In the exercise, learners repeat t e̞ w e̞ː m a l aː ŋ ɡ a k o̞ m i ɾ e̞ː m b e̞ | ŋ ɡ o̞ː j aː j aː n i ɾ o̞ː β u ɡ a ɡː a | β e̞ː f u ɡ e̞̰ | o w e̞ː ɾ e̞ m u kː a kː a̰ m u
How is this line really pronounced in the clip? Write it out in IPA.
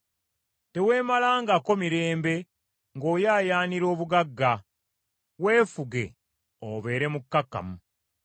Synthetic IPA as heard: t e̞ w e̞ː m a l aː ŋ ɡ a k o̞ m i ɾ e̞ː m b e̞ | ŋ ɡ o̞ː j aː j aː n i ɾ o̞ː β u ɡ a ɡː a | w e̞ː f u ɡ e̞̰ | o β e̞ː ɾ e̞ m u kː a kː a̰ m u